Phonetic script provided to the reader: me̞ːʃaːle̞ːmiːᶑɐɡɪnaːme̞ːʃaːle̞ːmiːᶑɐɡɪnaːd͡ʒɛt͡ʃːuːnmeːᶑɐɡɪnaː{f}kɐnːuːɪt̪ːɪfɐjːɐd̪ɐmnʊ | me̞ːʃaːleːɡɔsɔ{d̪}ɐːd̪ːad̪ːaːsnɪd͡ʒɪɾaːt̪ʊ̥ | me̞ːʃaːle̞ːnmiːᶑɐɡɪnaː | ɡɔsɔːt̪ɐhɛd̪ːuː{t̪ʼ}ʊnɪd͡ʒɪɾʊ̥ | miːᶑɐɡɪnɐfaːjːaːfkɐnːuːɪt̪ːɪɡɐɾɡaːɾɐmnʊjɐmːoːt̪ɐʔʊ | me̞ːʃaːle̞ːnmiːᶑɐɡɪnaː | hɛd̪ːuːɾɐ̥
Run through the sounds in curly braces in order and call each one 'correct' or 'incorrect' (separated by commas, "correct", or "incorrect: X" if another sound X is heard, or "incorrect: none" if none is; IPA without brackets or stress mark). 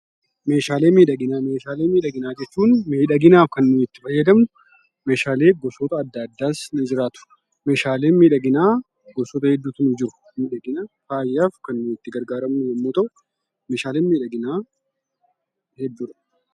correct, incorrect: t̪, incorrect: t̪